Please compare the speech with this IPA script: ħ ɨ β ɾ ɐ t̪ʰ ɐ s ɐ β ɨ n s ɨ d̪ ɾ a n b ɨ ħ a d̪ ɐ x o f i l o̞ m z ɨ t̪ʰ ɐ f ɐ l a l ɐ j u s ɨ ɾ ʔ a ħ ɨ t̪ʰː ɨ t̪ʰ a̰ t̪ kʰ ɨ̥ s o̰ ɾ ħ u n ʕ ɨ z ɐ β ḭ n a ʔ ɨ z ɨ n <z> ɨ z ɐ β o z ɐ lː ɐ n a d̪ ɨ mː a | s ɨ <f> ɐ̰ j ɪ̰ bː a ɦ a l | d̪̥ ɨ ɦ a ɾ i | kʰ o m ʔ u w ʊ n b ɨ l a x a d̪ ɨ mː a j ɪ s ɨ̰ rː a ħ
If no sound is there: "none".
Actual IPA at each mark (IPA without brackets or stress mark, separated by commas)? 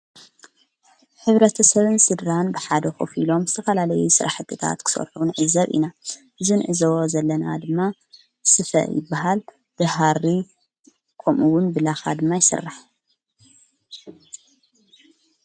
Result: ʕ, f